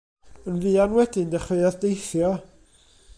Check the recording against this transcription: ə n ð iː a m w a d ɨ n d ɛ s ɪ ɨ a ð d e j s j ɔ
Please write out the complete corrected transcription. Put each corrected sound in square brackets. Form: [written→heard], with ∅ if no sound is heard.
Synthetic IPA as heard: ə n [ð→v] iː a [m→n] w [a→ɛ] d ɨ n d ɛ [s→χ] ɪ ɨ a ð d e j [s→θ] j ɔ